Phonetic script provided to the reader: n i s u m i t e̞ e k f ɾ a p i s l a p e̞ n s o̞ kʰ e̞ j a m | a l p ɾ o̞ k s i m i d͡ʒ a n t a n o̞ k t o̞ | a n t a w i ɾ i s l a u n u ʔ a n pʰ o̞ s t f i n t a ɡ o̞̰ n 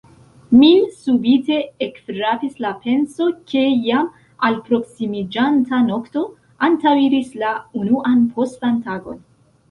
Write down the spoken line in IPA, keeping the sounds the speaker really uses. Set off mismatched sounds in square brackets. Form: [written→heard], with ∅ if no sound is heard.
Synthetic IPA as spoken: [n→m] i s u [m→b] i t e̞ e k f ɾ a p i s l a p e̞ n s o̞ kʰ e̞ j a m | a l p ɾ o̞ k s i m i d͡ʒ a n t a n o̞ k t o̞ | a n t a w i ɾ i s l a u n u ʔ a n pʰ o̞ s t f [i→a] n t a ɡ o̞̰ n

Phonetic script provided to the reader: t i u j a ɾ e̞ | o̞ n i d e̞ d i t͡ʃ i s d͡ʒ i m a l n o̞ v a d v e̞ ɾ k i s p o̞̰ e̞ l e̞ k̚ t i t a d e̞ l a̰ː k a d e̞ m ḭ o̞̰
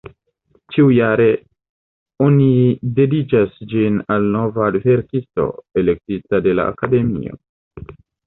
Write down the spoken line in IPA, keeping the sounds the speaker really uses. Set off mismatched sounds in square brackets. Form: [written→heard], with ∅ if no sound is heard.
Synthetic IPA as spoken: [t→t͡ʃ] i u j a ɾ e̞ | o̞ n i d e̞ d i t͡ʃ [i→a] s d͡ʒ i [m→n] a l n o̞ v a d v e̞ ɾ k i s [p→t] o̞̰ e̞ l e̞ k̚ t i t a d e̞ l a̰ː k a d e̞ m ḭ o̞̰

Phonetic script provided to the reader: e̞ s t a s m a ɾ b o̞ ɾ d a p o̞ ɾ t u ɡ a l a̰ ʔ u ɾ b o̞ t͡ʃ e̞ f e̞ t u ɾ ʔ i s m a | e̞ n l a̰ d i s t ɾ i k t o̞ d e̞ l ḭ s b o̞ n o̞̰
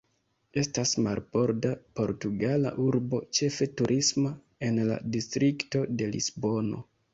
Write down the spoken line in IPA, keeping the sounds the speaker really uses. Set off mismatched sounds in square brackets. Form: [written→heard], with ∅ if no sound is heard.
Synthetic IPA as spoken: e̞ s t a s m a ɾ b o̞ ɾ d a p o̞ ɾ t u ɡ a l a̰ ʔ u ɾ b o̞ t͡ʃ e̞ f e̞ t u ɾ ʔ i s m a | e̞ n l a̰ d i s t ɾ i k t o̞ d e̞ l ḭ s b o̞ n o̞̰

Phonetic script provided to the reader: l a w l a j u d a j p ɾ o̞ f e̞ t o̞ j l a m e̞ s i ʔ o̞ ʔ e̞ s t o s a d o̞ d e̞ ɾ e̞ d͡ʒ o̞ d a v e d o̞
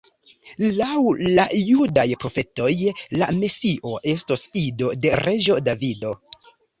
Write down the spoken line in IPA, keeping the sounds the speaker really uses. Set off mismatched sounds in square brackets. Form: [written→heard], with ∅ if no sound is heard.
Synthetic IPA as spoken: l a w l a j u d a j p ɾ o̞ f e̞ t o̞ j l a m e̞ s i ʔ o̞ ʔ e̞ s t o s [a→i] d o̞ d e̞ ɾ e̞ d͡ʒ o̞ d a v [e→i] d o̞

